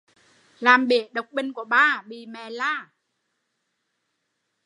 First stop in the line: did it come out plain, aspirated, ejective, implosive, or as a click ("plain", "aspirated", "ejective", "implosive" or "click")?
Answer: implosive